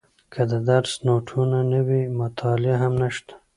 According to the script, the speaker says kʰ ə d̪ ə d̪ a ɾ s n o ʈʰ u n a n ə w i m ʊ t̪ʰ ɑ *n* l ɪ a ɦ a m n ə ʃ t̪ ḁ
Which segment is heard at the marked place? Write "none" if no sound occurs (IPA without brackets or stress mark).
none